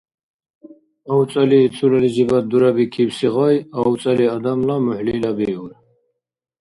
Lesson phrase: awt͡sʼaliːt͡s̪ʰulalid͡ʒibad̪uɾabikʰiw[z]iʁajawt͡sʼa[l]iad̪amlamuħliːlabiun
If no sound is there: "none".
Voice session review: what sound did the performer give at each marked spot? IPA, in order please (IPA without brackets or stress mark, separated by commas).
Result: s, l